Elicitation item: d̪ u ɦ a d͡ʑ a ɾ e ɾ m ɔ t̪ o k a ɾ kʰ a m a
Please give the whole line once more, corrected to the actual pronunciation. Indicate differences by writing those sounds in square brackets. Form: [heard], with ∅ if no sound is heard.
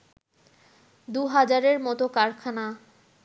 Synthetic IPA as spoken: d̪ u ɦ a d͡ʑ a ɾ e ɾ m ɔ t̪ o k a ɾ kʰ a [n] a